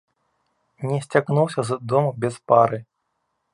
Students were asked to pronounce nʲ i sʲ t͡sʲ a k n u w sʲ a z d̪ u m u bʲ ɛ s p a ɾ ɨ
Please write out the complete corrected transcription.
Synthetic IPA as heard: nʲ ɛ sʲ t͡sʲ a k n u w sʲ ɐ z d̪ ɔ m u bʲ ɛ s p a ɾ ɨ